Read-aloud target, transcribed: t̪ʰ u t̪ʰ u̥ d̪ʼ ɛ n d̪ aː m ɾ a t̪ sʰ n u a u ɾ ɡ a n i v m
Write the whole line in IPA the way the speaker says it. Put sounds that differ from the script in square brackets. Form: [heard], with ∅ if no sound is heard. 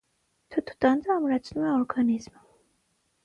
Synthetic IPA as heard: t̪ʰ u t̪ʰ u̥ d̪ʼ [a] n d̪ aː m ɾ a t̪ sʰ n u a [ɔ] ɾ ɡ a n i [z] m